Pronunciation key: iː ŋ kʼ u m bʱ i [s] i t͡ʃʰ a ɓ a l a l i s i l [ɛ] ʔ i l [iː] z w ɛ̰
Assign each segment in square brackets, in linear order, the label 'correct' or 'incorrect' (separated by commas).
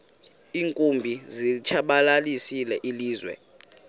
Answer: incorrect, correct, correct